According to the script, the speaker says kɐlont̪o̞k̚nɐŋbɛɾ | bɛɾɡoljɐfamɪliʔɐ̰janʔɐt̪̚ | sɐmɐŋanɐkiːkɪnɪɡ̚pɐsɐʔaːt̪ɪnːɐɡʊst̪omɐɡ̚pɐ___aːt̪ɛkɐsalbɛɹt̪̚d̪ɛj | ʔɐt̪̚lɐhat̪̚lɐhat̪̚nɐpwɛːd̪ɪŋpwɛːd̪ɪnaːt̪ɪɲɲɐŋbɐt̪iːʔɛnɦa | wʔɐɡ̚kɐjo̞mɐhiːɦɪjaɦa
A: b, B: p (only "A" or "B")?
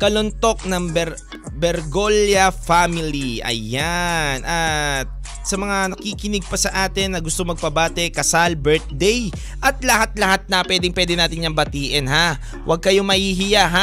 A